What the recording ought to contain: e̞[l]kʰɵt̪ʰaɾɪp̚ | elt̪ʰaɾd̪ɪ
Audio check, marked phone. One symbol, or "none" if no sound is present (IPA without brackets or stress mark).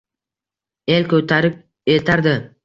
l